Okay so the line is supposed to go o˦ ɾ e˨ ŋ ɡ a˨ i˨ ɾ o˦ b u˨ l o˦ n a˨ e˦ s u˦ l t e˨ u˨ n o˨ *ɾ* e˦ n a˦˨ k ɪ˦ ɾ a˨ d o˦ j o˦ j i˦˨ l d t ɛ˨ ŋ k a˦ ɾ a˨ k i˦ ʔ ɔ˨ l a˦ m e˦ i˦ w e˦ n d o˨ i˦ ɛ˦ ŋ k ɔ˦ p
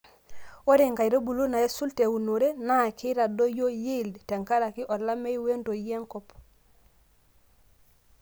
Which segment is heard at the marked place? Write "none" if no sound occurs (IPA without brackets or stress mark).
ɾ